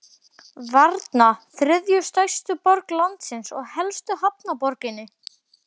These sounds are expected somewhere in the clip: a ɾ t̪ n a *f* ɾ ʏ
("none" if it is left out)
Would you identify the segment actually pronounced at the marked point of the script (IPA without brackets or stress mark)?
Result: θ